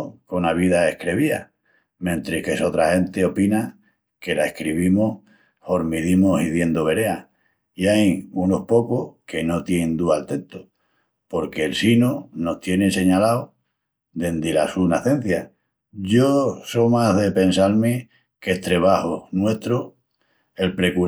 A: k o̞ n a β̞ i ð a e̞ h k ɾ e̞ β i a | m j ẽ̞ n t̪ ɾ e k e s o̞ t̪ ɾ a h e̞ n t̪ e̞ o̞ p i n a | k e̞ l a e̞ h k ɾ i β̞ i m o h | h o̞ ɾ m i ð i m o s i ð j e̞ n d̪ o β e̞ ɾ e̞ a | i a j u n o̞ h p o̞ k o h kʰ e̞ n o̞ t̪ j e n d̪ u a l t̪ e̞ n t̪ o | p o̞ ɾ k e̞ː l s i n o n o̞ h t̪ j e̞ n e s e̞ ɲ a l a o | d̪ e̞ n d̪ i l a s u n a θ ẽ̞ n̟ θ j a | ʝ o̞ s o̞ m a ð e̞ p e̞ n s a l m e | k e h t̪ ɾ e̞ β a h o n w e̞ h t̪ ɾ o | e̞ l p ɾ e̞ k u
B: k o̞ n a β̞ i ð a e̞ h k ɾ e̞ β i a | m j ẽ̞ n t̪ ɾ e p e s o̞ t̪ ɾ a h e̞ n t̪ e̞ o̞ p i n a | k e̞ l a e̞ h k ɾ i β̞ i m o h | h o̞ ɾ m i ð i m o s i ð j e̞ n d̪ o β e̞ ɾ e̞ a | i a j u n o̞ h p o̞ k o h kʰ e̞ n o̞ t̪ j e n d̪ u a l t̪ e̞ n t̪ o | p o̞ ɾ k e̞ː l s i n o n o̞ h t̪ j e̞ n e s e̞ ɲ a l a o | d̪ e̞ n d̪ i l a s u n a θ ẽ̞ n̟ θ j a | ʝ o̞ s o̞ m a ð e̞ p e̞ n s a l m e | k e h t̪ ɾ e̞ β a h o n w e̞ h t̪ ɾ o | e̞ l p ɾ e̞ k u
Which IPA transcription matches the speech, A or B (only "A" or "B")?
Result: A